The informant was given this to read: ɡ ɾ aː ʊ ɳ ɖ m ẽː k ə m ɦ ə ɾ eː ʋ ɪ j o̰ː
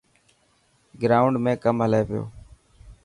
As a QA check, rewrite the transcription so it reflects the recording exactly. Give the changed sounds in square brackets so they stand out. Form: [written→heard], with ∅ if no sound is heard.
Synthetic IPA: ɡ ɾ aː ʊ ɳ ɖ m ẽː k ə m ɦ ə [ɾ→l] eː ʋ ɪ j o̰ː